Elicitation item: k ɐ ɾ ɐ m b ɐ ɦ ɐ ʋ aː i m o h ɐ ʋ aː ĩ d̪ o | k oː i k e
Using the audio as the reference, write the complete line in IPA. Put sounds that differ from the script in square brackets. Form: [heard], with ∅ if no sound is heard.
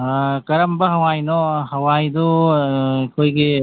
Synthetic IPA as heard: k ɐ ɾ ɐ m b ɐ ɦ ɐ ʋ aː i [n] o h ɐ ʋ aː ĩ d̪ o | k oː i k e